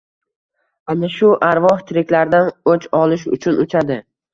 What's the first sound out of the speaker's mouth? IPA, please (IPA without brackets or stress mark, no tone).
a